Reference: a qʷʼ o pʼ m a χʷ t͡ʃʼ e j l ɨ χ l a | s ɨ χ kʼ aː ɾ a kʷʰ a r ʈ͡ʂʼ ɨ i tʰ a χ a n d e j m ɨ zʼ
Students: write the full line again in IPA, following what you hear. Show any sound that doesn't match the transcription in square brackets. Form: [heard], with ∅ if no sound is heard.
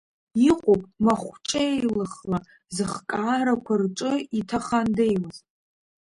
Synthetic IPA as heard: [i] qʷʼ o pʼ m a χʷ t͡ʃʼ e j l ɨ χ l a | [z] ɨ χ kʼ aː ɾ a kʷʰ a r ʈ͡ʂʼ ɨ i tʰ a χ a n d e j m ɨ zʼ